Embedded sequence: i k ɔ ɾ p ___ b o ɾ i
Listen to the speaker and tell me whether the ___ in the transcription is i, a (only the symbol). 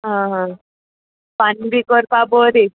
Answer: a